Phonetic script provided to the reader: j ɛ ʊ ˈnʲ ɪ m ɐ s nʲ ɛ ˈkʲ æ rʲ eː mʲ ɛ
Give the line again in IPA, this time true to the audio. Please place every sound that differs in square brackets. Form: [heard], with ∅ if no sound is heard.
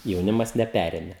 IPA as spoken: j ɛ ʊ ˈnʲ ɪ m ɐ s nʲ ɛ [ˈpʲ] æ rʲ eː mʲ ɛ